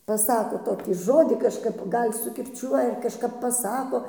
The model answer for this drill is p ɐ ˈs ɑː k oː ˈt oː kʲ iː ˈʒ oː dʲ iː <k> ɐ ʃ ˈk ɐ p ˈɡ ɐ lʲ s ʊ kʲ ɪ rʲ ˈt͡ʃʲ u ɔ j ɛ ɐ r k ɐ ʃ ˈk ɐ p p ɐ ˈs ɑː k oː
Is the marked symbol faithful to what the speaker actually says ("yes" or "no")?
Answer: yes